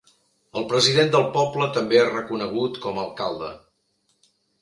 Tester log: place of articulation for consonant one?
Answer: alveolar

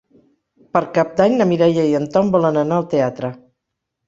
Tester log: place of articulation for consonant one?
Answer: labial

